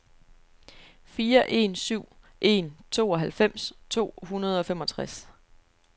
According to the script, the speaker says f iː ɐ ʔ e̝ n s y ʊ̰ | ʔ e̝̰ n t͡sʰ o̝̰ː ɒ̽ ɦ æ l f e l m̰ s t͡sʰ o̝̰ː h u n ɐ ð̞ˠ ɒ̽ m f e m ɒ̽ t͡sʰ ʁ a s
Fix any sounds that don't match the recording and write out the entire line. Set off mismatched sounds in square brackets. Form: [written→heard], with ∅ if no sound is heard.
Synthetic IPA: f iː ɐ ʔ e̝ n s y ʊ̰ | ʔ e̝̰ n t͡sʰ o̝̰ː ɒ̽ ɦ æ l f e [l→∅] m̰ s t͡sʰ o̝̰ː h u n ɐ ð̞ˠ ɒ̽ [m→∅] f e m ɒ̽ t͡sʰ ʁ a s